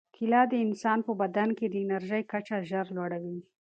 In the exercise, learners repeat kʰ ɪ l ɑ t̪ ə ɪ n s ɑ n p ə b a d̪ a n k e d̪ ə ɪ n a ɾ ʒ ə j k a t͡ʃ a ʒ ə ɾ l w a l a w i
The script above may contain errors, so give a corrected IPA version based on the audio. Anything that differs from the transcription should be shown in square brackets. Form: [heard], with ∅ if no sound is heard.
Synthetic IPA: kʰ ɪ l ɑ [d̪] ə ɪ n s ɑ n p ə b a d̪ a n k e d̪ ə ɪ n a ɾ ʒ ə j k a t͡ʃ a ʒ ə ɾ l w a [ɽ] a w i